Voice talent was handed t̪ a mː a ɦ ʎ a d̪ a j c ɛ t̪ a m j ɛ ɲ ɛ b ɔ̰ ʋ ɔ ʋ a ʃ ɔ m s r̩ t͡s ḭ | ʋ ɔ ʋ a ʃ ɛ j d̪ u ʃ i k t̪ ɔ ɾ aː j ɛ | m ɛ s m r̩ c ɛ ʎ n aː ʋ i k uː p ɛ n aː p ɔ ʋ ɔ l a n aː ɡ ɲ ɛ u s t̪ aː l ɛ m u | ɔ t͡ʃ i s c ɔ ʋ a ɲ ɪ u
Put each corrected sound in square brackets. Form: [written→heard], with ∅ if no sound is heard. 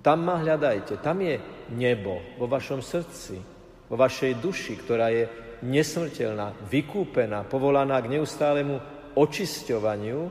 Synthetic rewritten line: t̪ a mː a ɦ ʎ a d̪ a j c ɛ t̪ a m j ɛ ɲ ɛ b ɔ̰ ʋ ɔ ʋ a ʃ ɔ m s r̩ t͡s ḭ | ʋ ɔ ʋ a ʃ ɛ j d̪ u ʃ i k t̪ ɔ ɾ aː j ɛ | [m→ɲ] ɛ s m r̩ c ɛ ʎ n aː ʋ i k uː p ɛ n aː p ɔ ʋ ɔ l a n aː ɡ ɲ ɛ u s t̪ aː l ɛ m u | ɔ t͡ʃ i s c ɔ ʋ a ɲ ɪ u